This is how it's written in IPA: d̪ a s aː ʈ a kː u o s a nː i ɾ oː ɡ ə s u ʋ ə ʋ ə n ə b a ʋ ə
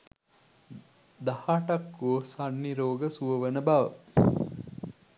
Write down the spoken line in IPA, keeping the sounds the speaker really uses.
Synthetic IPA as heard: d̪ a h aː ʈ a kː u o s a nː i ɾ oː ɡ ə s u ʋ ə ʋ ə n ə b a ʋ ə